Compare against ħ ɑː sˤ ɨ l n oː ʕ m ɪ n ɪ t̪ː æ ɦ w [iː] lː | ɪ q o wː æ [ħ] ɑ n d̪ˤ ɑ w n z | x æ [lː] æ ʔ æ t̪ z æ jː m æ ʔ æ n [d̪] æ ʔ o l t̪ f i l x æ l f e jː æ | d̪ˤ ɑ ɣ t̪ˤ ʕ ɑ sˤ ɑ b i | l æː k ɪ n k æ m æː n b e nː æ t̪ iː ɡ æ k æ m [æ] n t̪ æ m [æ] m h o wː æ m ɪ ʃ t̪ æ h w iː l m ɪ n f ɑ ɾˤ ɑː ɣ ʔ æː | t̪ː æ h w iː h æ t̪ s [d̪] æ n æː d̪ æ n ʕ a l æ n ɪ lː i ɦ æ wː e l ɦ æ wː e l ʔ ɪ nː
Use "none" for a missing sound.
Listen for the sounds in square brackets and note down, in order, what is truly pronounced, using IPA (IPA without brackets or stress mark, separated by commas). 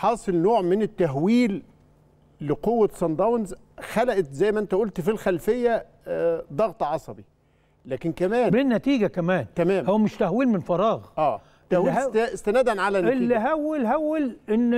iː, s, l, t̪, æː, æː, t̪